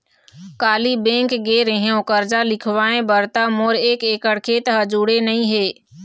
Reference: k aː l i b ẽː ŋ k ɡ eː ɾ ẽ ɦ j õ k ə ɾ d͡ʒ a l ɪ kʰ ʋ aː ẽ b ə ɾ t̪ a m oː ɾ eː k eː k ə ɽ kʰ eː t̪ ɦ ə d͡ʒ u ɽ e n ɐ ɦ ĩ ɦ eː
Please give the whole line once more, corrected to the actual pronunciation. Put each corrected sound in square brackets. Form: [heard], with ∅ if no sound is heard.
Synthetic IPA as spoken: k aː l i b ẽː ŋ k ɡ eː ɾ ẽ ɦ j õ k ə ɾ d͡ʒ a l ɪ kʰ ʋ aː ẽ b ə ɾ t̪ a m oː ɾ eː k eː k ə ɽ kʰ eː t̪ ɦ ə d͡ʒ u ɽ e n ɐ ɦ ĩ ɦ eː